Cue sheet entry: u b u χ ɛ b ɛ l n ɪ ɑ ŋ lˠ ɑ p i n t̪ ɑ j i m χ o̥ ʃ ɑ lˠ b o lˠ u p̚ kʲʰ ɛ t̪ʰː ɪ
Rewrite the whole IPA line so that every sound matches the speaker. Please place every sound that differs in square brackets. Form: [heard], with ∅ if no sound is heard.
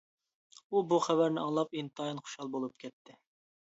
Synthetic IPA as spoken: u b u χ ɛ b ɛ [ɾ] n ɪ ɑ ŋ lˠ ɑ p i n t̪ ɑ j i [n] χ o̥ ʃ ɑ lˠ b o lˠ u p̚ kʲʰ ɛ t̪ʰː ɪ